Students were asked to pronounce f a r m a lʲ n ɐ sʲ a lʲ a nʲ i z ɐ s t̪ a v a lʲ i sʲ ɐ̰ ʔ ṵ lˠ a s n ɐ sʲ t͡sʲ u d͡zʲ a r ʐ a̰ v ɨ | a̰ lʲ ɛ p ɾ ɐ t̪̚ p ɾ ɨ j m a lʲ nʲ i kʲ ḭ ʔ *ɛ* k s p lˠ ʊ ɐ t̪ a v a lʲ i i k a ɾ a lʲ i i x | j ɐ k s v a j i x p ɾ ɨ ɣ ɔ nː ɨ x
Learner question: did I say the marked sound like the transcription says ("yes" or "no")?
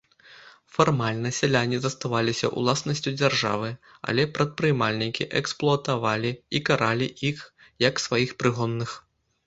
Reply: yes